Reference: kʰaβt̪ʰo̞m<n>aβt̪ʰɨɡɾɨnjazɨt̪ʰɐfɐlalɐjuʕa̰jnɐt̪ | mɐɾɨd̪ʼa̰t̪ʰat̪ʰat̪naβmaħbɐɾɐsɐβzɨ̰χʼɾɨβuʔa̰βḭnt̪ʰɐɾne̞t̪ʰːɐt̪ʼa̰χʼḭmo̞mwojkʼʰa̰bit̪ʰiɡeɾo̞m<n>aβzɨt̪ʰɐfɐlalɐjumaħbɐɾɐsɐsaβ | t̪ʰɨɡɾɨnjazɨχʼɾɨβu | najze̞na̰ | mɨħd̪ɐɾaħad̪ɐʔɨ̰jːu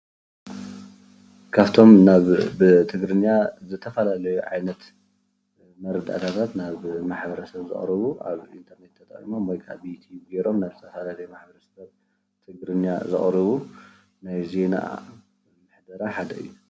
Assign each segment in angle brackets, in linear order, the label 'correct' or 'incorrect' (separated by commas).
correct, correct